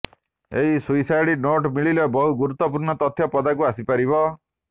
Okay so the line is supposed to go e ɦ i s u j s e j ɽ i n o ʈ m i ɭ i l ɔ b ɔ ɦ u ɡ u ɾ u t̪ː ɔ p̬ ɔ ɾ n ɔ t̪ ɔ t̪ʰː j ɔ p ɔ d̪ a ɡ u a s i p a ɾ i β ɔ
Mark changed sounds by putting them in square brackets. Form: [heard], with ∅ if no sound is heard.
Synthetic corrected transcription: e ɦ i s u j s [a] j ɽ i n o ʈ m i ɭ i l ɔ b ɔ ɦ u ɡ u ɾ u t̪ː ɔ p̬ [u] ɾ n ɔ t̪ ɔ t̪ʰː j ɔ p ɔ d̪ a [k] u a s i p a ɾ i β ɔ